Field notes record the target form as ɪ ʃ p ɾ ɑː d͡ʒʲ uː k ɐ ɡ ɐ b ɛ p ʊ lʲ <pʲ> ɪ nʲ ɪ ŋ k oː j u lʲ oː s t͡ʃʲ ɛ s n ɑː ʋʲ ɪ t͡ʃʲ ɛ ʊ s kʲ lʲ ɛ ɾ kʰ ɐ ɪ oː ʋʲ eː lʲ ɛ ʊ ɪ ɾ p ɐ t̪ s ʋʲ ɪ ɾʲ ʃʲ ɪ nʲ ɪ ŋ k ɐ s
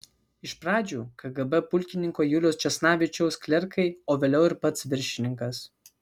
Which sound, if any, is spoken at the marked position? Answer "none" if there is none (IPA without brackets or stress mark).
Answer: kʲ